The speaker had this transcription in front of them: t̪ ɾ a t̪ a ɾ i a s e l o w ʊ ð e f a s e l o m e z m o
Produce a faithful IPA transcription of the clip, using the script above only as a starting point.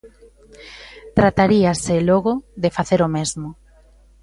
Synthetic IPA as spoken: t̪ ɾ a t̪ a ɾ i a s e l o ɣ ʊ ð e f a θ e ɾ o m e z m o